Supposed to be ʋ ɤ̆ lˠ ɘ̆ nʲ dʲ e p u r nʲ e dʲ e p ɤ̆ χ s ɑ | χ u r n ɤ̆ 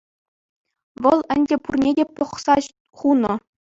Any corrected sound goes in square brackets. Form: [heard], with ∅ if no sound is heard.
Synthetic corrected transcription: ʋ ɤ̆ lˠ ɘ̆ nʲ dʲ e p u r nʲ e dʲ e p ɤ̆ χ s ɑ | χ u [∅] n ɤ̆